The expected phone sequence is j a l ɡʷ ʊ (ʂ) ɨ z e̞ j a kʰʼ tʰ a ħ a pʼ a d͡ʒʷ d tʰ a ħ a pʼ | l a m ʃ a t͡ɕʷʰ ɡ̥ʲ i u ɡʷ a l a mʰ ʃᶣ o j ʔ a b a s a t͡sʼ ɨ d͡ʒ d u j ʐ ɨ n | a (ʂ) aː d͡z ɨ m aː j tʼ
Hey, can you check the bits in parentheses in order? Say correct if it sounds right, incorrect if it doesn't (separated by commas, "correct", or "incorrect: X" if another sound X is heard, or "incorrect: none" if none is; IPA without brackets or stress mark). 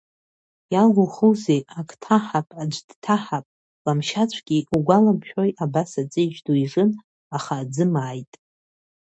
incorrect: χ, incorrect: χ